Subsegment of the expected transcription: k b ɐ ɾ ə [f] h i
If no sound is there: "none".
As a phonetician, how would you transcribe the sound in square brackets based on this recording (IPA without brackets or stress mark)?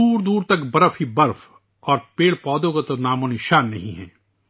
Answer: f